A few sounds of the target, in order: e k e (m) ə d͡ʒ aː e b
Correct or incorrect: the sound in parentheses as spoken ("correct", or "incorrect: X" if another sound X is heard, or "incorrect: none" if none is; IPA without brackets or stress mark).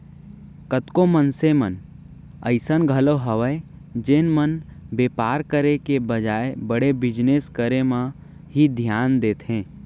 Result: incorrect: b